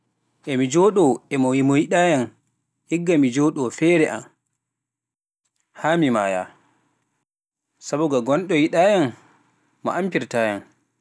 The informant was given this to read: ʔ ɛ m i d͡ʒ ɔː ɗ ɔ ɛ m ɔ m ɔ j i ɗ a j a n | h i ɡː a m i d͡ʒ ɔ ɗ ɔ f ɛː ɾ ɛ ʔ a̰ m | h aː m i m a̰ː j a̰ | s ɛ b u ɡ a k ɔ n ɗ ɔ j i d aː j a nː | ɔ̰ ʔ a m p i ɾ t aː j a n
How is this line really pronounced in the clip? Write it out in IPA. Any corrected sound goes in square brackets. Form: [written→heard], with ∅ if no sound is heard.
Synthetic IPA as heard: ʔ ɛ m i d͡ʒ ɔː ɗ ɔ ɛ m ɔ m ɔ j i ɗ a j a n | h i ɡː a m i d͡ʒ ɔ ɗ ɔ f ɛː ɾ ɛ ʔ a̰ m | h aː m i m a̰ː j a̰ | s [ɛ→a] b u ɡ a [k→ɡ] ɔ n ɗ ɔ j i [d→ɗ] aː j a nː | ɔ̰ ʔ a m p i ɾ t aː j a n